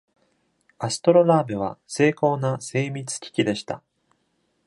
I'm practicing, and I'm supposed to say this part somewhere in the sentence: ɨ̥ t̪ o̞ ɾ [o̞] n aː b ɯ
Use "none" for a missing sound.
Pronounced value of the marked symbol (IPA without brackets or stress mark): o̞